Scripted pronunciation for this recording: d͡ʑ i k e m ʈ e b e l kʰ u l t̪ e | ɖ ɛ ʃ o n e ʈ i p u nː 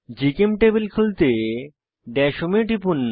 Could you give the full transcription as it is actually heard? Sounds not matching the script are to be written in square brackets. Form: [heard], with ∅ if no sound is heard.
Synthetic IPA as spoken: d͡ʑ i k e m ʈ e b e l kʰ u l t̪ e | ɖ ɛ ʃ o [m] e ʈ i p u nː